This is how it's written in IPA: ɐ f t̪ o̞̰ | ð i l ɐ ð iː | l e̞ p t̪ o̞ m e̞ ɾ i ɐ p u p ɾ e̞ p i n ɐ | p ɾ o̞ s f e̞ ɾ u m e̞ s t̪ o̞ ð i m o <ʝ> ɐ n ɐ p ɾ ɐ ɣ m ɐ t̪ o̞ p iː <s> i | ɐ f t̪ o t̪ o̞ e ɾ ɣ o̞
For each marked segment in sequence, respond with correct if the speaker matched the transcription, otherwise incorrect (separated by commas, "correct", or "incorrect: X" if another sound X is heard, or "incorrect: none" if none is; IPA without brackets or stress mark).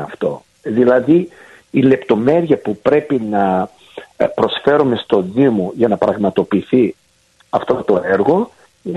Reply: correct, incorrect: θ